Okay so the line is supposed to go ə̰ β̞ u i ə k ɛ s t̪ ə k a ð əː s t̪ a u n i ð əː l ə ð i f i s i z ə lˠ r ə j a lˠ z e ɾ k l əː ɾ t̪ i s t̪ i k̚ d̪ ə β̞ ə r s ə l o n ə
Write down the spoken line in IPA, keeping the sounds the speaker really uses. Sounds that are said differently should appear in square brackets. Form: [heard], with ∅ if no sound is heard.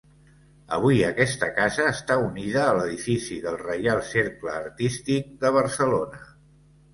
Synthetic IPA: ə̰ β̞ u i ə k ɛ s t̪ ə k a [z] əː s t̪ a u n i ð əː l ə ð i f i s i [ð] ə lˠ r ə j a lˠ [s] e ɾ k l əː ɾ t̪ i s t̪ i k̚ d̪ ə β̞ ə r s ə l o n ə

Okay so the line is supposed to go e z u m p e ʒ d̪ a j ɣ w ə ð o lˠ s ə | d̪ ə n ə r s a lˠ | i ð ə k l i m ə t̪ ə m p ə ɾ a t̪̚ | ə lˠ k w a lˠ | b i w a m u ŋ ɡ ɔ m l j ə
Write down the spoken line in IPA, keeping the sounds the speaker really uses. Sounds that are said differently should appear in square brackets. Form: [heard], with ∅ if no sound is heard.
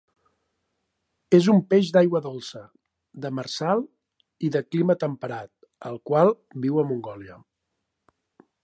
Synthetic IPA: e z u m p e ʒ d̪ a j ɣ w ə ð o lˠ s ə | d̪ ə [m] ə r s a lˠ | i ð ə k l i m ə t̪ ə m p ə ɾ a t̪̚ | ə lˠ k w a lˠ | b i w [ə] m u ŋ ɡ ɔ [∅] l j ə

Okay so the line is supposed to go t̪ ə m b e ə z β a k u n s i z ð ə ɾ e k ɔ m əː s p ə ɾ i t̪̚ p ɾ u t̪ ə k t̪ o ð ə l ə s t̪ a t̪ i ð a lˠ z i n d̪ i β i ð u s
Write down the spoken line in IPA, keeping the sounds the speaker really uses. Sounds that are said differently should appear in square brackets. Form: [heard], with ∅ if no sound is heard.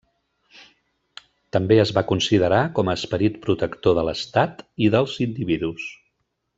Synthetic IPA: t̪ ə m b e ə z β a k u n s i [∅] ð ə ɾ [a] k ɔ m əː s p ə ɾ i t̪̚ p ɾ u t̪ ə k t̪ o ð ə l ə s t̪ a t̪ i ð [ə] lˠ z i n d̪ i β i ð u s

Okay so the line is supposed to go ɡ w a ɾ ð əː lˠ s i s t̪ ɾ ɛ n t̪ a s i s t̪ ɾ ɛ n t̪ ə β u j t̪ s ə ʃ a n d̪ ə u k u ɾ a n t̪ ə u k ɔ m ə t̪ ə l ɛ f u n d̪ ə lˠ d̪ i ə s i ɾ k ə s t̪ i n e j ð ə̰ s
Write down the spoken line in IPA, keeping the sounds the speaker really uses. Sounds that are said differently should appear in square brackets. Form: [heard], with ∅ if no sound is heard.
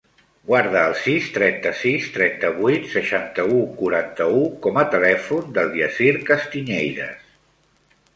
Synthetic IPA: ɡ w a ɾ ð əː lˠ s i s t̪ ɾ ɛ n t̪ [ə] s i s t̪ ɾ ɛ n t̪ ə β u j t̪ s ə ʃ a n [t̪] ə u k u ɾ a n t̪ ə u k ɔ m ə t̪ ə l ɛ f u n d̪ ə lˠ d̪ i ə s i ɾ k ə s t̪ i [ɲ] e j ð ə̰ s

